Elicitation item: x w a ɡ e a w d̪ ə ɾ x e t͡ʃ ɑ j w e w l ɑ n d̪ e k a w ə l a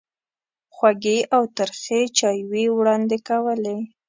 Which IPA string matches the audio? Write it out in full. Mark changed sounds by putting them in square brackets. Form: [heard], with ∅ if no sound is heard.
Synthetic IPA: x w a ɡ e a w [t̪] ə ɾ x e t͡ʃ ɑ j w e w [ɽ] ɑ n d̪ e k a w ə l [e]